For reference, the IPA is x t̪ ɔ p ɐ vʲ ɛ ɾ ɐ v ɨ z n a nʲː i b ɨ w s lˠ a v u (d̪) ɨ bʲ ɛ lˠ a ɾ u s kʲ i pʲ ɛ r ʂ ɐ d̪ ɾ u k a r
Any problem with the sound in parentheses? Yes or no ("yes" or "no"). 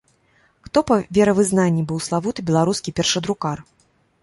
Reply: yes